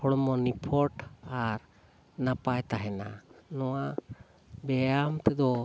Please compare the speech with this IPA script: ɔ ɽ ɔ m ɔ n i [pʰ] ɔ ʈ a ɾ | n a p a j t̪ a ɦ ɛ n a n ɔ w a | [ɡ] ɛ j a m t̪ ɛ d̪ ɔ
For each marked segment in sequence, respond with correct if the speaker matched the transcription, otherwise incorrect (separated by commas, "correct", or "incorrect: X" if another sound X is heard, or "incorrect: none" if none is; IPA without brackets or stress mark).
correct, incorrect: b